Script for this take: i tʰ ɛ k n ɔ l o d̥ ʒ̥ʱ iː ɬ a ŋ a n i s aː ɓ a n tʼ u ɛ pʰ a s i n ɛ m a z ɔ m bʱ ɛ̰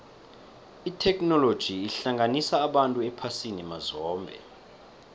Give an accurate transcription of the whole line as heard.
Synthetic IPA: i tʰ ɛ k n ɔ l o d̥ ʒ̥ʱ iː ɬ a ŋ a n i s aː ɓ a n tʼ u ɛ pʰ a s i n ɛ m a z ɔː m bʱ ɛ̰